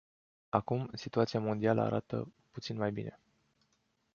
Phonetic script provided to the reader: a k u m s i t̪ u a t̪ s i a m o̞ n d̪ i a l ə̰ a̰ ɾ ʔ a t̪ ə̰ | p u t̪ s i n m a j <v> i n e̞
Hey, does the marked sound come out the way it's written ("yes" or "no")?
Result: no